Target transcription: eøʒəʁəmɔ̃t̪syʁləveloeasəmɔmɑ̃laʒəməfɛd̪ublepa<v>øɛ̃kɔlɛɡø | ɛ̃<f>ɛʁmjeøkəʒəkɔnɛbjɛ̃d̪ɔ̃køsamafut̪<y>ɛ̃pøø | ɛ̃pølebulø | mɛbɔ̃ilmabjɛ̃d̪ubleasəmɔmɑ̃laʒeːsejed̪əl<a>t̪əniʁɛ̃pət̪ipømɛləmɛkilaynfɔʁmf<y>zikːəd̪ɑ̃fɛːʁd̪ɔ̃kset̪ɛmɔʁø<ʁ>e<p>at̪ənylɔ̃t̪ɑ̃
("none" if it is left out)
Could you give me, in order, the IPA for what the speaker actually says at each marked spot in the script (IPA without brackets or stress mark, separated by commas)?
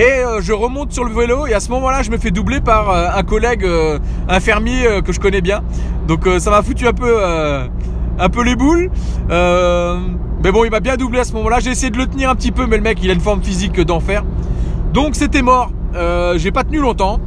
ʁ, f, y, ə, i, ʒ, p